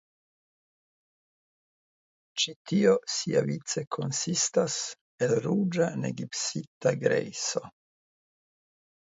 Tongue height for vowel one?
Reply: high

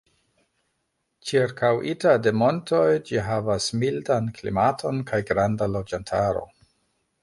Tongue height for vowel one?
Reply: high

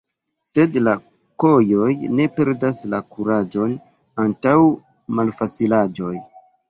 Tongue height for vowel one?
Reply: mid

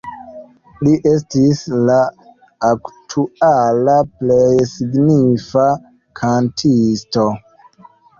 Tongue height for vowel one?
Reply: high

